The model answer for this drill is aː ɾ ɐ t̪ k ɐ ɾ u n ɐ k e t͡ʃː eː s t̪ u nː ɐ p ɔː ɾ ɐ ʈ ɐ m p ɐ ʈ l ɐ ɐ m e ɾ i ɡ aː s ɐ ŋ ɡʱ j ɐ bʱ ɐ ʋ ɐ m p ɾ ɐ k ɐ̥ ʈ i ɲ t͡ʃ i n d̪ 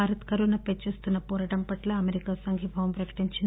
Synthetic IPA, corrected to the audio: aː ɾ ɐ t̪ k ɐ ɾ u n ɐ p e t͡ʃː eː s t̪ u nː ɐ p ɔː ɾ ɐ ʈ ɐ m p ɐ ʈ l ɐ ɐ m e ɾ i k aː s ɐ ŋ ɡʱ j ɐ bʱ ɐ ʋ ɐ m p ɾ ɐ k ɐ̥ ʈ i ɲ t͡ʃ i n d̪

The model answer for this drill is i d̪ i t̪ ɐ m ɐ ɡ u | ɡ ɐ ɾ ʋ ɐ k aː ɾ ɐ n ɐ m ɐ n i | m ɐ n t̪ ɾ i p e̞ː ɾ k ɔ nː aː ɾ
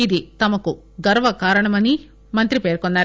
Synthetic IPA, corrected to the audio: i d̪ i t̪ ɐ m ɐ k u | ɡ ɐ ɾ ʋ ɐ k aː ɾ ɐ ɳ ɐ m ɐ n i | m ɐ n t̪ ɾ i p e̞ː ɾ k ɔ nː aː ɾ

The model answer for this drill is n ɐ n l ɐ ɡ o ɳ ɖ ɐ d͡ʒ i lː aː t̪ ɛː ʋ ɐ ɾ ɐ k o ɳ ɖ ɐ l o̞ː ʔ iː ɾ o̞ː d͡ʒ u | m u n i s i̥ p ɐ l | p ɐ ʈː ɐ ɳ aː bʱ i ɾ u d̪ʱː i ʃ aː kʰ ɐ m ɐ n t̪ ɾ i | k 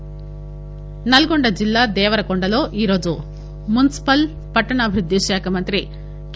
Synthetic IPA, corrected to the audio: n ɐ l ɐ ɡ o ɳ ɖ ɐ d͡ʒ i lː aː d̪ ɛː ʋ ɐ ɾ ɐ k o ɳ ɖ ɐ l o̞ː ʔ iː ɾ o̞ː d͡ʒ u | m u n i s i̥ p ɐ l | p ɐ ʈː ɐ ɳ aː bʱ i ɾ u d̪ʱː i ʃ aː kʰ ɐ m ɐ n t̪ ɾ i | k

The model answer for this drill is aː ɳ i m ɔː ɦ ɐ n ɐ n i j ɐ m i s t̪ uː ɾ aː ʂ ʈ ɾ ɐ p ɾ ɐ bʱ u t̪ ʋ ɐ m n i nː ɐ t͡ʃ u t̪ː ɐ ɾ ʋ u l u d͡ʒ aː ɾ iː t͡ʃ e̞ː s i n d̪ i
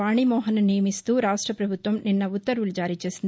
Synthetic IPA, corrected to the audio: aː ɳ i m ɔː ɦ ɐ n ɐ n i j ɐ m i s t̪ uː ɾ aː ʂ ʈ ɾ ɐ p ɾ ɐ bʱ u t̪ ʋ ɐ m n i nː ɐ u t̪ː ɐ ɾ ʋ u l u d͡ʒ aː ɾ iː t͡ʃ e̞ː s i n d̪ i

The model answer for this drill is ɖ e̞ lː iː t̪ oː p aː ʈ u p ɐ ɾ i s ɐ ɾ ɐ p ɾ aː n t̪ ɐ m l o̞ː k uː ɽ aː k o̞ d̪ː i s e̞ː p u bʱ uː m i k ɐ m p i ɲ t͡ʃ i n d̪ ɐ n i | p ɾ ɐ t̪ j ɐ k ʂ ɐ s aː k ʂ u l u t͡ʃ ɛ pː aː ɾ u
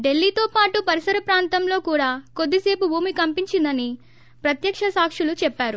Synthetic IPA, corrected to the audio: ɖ e̞ lː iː t̪ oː p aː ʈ u p ɐ ɾ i s ɐ ɾ ɐ p ɾ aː n t̪ ɐ m l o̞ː k uː ɽ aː k o̞ d̪ː i s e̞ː p u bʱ uː m i k ɐ m p i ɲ t͡ʃ i n d̪ ɐ n i | p ɾ ɐ t̪ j ɐ k ʂ ɐ s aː k ʂ u l u t͡ʃ ɛ pː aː ɾ u

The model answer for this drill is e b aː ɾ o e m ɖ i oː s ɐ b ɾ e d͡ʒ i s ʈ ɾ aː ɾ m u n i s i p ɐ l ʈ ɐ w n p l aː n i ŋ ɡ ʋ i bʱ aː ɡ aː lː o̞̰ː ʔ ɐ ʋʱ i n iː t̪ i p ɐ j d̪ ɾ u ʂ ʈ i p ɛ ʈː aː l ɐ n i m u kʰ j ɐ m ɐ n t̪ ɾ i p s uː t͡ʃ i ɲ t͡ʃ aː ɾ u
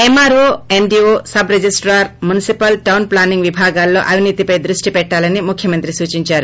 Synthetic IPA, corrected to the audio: e m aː ɾ o e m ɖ i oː s ɐ b ɾ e d͡ʒ i s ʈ ɾ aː ɾ m u n i s i p ɐ l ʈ ɐ w n p l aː n i ŋ ɡ ʋ i bʱ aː ɡ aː lː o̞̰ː ʔ ɐ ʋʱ i n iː t̪ i p ɐ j d̪ ɾ u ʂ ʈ i p ɛ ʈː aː l ɐ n i m u kʰ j ɐ m ɐ n t̪ ɾ i s uː t͡ʃ i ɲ t͡ʃ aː ɾ u

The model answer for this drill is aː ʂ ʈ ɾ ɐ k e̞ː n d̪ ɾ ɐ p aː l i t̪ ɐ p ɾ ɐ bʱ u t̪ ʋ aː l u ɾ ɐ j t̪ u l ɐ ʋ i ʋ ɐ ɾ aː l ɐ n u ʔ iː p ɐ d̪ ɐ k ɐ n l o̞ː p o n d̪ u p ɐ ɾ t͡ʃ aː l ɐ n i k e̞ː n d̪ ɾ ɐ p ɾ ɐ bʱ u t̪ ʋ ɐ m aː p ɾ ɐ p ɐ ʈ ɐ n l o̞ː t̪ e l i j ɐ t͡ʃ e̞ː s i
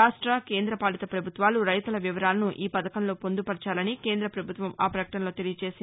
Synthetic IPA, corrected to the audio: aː ʂ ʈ ɾ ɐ k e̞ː n d̪ ɾ ɐ p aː l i t̪ ɐ p ɾ ɐ bʱ u t̪ ʋ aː l u ɾ ɐ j t̪ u l ɐ ʋ i ʋ ɐ ɾ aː l ɐ n u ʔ iː p ɐ d̪ ɐ k ɐ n l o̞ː p o n d̪ u p ɐ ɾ t͡ʃ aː l ɐ n i k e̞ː n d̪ ɾ ɐ p ɾ ɐ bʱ u t̪ ʋ ɐ m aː p ɾ ɐ k ɐ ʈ ɐ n l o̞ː t̪ e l i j ɐ t͡ʃ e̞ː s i

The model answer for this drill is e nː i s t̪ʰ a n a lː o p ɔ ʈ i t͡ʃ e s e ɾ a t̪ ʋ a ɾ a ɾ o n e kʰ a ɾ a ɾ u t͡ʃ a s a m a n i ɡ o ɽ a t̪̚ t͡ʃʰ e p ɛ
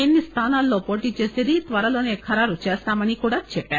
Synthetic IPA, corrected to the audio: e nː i s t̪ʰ a n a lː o p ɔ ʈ i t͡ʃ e s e ɾ i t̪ ʋ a ɾ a l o n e kʰ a ɾ a ɾ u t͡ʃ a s a m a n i k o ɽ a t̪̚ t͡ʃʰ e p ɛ

